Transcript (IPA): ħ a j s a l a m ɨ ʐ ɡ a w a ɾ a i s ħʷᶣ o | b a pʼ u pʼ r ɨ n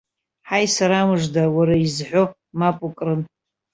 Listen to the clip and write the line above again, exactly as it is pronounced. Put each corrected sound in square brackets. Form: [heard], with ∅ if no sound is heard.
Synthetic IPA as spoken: ħ a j s a [ɾ] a m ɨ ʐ [d] a w a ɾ a i [z] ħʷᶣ o | [m] a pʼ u [kʼ] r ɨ n